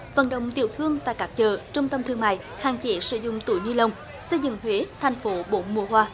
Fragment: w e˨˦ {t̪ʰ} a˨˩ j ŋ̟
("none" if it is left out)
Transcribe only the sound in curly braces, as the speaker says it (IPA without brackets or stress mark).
t̪ʰ